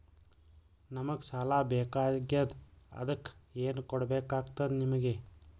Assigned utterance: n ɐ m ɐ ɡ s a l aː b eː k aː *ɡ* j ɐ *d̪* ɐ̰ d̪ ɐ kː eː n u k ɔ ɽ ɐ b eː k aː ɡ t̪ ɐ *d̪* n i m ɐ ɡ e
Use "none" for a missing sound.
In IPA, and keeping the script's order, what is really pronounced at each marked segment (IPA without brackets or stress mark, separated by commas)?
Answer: ɡ, d̪, d̪